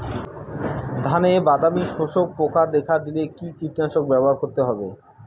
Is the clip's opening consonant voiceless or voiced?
voiced